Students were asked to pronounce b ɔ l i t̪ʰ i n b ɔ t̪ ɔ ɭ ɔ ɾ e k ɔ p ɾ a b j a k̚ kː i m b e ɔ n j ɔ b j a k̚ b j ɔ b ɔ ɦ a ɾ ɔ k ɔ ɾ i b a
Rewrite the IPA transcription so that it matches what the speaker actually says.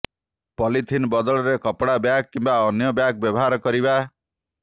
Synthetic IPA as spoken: p ɔ l i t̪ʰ i n b ɔ d̪ ɔ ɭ ɔ ɾ e k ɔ p ɽ a b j a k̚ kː i m b a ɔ n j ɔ b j a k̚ b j ɔ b ɔ ɦ a ɾ ɔ k ɔ ɾ i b a

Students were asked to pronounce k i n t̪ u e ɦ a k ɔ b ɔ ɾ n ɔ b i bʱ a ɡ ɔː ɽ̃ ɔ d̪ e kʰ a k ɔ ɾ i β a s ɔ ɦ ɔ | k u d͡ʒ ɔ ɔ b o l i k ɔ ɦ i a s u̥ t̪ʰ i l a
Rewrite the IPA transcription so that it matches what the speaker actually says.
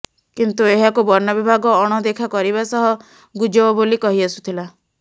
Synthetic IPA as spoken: k i n t̪ u e ɦ a k u b ɔ ɾ n ɔ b i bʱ a ɡ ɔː ɽ̃ ɔ d̪ e kʰ a k ɔ ɾ i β a s ɔ ɦ ɔ | ɡ u d͡ʒ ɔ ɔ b o l i k ɔ ɦ i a s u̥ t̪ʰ i l a

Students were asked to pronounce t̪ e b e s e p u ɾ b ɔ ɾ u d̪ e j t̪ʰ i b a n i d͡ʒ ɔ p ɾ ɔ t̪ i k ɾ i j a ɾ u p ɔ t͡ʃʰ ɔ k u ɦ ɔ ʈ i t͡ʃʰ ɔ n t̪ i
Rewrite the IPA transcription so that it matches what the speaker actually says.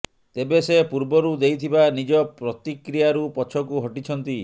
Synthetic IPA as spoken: t̪ e b e s e p u ɾ b ɔ ɾ u d̪ e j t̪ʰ i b a n i d͡ʒ ɔ p ɾ ɔ t̪ i k ɾ i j a ɾ u p ɔ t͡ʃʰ ɔ k u ɦ ɔ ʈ i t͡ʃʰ ɔ n t̪ i

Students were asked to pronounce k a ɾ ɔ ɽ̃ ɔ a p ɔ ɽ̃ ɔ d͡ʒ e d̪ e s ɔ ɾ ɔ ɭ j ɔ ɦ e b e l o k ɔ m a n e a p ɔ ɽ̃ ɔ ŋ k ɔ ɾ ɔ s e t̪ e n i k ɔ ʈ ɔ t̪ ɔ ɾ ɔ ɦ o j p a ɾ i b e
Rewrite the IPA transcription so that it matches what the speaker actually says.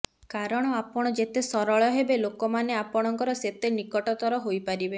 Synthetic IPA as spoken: k a ɾ ɔ ɽ̃ ɔ a p ɔ ɽ̃ ɔ d͡ʒ e t̪ e s ɔ ɾ ɔ ɭ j ɔ ɦ e b e l o k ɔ m a n e a p ɔ ɽ̃ ɔ ŋ k ɔ ɾ ɔ s e t̪ e n i k ɔ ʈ ɔ t̪ ɔ ɾ ɔ ɦ o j p a ɾ i b e

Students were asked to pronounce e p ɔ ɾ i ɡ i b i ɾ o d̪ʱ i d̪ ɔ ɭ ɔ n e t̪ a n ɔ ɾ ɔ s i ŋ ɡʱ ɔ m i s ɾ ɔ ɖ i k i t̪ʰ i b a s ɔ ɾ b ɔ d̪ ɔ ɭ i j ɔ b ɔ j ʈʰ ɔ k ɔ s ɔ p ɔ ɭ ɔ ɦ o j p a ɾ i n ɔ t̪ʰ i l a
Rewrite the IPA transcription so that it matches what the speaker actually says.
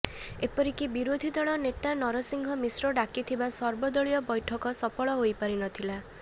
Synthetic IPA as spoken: e p ɔ ɾ i k i b i ɾ o d̪ʱ i d̪ ɔ ɭ ɔ n e t̪ a n ɔ ɾ ɔ s i ŋ ɡʱ ɔ m i s ɾ ɔ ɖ a k i t̪ʰ i b a s ɔ ɾ b ɔ d̪ ɔ ɭ i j ɔ b ɔ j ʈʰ ɔ k ɔ s ɔ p ɔ ɭ ɔ ɦ o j p a ɾ i n ɔ t̪ʰ i l a

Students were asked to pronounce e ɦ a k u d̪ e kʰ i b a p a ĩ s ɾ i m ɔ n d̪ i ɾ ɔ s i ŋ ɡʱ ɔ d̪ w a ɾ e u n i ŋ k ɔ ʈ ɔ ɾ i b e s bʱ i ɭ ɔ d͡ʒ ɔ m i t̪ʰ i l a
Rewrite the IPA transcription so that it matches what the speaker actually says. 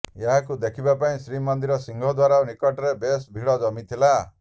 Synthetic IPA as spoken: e ɦ a k u d̪ e kʰ i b a p a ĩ s ɾ i m ɔ n d̪ i ɾ ɔ s i ŋ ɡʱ ɔ d̪ w a ɾ a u n i k ɔ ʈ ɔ ɾ e b e s bʱ i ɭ ɔ d͡ʒ ɔ m i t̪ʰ i l a

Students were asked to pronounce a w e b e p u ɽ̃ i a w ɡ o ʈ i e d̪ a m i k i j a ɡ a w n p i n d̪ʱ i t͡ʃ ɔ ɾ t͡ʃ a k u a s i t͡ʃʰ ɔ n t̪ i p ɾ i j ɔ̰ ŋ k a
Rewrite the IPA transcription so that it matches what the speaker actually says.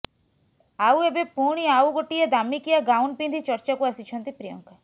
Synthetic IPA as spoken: a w e b e p u ɽ̃ i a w ɡ o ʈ i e d̪ a m i k i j a ɡ a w n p i n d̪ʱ i t͡ʃ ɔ ɾ t͡ʃ a k u a s i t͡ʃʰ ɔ n t̪ i p ɾ i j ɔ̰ ŋ k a

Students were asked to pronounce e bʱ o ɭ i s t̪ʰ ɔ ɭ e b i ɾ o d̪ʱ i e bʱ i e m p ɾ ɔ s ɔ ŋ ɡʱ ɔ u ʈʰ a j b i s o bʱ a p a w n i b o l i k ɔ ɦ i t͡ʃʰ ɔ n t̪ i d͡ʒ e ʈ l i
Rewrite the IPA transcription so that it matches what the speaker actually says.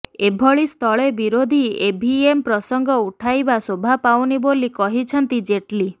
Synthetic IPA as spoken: e bʱ ɔ ɭ i s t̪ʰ ɔ ɭ e b i ɾ o d̪ʱ i e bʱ i e m p ɾ ɔ s ɔ ŋ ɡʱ ɔ u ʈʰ a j b a s o bʱ a p a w n i b o l i k ɔ ɦ i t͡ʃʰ ɔ n t̪ i d͡ʒ e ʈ l i

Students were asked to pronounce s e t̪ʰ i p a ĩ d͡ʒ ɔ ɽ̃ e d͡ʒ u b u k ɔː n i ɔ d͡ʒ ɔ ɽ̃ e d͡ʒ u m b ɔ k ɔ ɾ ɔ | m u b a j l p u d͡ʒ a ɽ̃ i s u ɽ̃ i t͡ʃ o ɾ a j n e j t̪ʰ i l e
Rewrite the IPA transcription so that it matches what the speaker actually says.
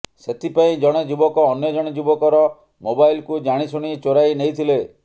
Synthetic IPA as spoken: s e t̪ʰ i p a ĩ d͡ʒ ɔ ɽ̃ e d͡ʒ u b ɔ k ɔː n j ɔ d͡ʒ ɔ ɽ̃ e d͡ʒ u b ɔ k ɔ ɾ ɔ | m o b a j l k u d͡ʒ a ɽ̃ i s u ɽ̃ i t͡ʃ o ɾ a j n e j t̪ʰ i l e

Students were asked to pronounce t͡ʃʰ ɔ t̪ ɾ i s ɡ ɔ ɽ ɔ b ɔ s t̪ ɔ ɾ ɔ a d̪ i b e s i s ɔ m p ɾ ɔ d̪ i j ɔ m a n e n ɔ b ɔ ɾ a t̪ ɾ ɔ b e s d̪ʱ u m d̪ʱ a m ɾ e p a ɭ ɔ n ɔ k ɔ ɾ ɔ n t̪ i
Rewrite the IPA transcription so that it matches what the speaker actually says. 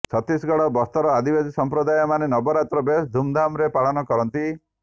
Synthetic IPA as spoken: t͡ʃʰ ɔ t̪ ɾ i s ɡ ɔ ɽ ɔ b ɔ s t̪ ɔ ɾ ɔ a d̪ i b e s i s ɔ m p ɾ ɔ d̪ a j ɔ m a n e n ɔ b ɔ ɾ a t̪ ɾ ɔ b e s d̪ʱ u m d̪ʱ a m ɾ e p a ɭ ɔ n ɔ k ɔ ɾ ɔ n t̪ i

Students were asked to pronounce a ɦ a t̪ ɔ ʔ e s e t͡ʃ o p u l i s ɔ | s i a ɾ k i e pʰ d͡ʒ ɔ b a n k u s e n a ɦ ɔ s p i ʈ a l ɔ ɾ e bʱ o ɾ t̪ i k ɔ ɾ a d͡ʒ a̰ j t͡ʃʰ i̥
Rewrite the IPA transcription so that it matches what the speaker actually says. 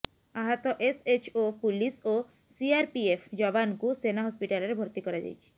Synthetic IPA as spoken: a ɦ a t̪ ɔ ʔ e s e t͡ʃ o p u l i s o | s i a ɾ p i e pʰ d͡ʒ ɔ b a n k u s e n a ɦ ɔ s p i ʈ a l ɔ ɾ e bʱ o ɾ t̪ i k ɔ ɾ a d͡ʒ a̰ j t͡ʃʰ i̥

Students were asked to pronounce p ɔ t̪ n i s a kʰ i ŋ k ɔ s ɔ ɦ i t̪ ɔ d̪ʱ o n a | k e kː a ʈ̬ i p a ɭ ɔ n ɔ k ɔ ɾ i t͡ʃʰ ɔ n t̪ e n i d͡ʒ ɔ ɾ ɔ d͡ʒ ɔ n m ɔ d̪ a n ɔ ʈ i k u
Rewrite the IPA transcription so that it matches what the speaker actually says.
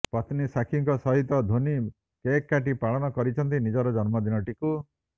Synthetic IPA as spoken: p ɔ t̪ n i s a kʰ i ŋ k ɔ s ɔ ɦ i t̪ ɔ d̪ʱ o n i | k e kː a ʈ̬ i p a ɭ ɔ n ɔ k ɔ ɾ i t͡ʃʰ ɔ n t̪ i n i d͡ʒ ɔ ɾ ɔ d͡ʒ ɔ n m ɔ d̪ i n ɔ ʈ i k u

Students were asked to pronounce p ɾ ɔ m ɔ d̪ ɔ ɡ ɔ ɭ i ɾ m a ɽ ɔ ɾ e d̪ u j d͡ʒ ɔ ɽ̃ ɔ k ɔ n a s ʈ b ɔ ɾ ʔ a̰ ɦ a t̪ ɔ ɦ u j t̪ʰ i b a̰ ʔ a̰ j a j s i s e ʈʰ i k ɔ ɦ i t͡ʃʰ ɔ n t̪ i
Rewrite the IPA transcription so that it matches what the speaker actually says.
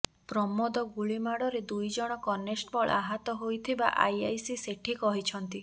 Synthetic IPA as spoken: p ɾ ɔ m ɔ d̪ ɔ ɡ u ɭ i m a ɽ ɔ ɾ e d̪ u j d͡ʒ ɔ ɽ̃ ɔ k ɔ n e s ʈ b ɔ ɭ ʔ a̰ ɦ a t̪ ɔ ɦ o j t̪ʰ i b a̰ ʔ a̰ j a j s i s e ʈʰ i k ɔ ɦ i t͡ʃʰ ɔ n t̪ i

